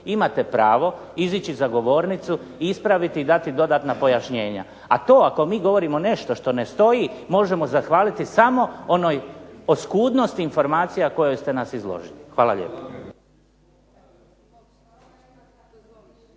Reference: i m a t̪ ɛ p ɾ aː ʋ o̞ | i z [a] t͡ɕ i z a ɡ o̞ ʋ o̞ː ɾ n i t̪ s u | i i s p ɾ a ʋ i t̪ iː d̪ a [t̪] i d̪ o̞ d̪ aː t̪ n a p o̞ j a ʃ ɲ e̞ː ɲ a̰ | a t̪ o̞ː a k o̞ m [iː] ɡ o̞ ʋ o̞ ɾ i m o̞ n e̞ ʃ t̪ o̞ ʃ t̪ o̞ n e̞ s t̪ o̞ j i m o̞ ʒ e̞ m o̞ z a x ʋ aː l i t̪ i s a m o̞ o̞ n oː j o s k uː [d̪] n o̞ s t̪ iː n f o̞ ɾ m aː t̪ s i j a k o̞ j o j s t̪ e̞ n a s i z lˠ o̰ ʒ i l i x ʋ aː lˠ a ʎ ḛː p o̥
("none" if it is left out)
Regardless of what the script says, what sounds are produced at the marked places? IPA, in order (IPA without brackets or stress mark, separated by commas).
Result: i, t̪, iː, d̪